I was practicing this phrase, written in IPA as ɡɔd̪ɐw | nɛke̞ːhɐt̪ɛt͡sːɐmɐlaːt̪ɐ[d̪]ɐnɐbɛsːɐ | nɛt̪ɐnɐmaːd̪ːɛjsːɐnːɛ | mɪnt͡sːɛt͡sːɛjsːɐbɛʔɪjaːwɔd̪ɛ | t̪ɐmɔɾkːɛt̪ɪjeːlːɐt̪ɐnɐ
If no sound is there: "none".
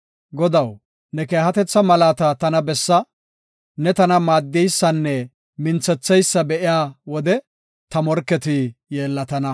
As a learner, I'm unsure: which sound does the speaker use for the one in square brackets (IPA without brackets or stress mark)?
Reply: t̪